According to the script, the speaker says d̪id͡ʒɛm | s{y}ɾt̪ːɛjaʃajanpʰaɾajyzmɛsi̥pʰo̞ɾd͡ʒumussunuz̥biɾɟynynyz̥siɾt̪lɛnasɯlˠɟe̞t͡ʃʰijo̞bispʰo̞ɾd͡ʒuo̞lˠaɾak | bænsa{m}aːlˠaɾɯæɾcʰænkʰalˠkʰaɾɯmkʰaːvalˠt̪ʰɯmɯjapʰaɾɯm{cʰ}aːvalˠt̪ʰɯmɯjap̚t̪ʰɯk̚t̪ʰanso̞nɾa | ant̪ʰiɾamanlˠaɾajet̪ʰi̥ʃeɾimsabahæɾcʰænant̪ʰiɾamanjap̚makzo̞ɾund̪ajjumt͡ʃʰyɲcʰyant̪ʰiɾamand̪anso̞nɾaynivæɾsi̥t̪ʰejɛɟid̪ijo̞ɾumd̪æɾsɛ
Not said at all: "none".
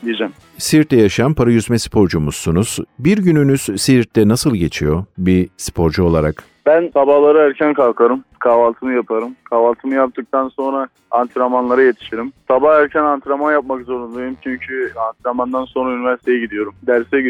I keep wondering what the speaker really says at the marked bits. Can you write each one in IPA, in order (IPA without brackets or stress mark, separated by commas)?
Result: i, b, kʰ